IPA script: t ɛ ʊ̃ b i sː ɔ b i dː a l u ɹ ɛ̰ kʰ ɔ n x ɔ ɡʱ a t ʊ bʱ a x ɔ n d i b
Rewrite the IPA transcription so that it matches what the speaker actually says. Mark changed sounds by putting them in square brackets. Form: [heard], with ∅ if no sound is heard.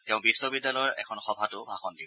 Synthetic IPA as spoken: t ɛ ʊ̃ b i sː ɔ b i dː a l [ɔ] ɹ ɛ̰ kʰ ɔ n x ɔ [bʱ] a t ʊ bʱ a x ɔ n d i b